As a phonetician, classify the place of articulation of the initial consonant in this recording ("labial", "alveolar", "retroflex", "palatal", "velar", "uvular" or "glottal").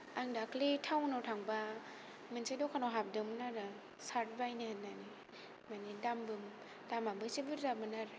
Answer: velar